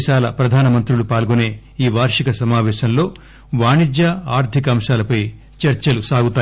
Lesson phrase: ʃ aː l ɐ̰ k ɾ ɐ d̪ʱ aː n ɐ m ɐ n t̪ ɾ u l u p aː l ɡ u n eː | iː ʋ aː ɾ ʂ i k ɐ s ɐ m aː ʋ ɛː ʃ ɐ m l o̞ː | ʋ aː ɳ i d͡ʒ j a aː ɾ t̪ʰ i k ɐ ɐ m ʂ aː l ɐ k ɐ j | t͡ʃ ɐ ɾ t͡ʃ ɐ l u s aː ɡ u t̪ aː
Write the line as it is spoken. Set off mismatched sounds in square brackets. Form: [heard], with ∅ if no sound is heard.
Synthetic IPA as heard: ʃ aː l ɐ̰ [p] ɾ ɐ d̪ʱ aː n ɐ m ɐ n t̪ ɾ u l u p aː l ɡ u n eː | iː ʋ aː ɾ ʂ i k ɐ s ɐ m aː ʋ ɛː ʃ ɐ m l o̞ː | ʋ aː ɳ i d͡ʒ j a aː ɾ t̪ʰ i k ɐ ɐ m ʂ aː l ɐ [p] ɐ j | t͡ʃ ɐ ɾ t͡ʃ ɐ l u s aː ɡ u t̪ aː